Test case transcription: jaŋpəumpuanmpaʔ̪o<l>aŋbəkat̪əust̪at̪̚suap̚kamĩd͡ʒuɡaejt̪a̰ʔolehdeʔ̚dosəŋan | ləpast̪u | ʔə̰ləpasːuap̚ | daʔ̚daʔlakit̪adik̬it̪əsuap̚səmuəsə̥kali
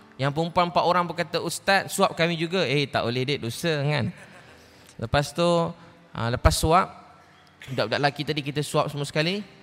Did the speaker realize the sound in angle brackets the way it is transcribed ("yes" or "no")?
no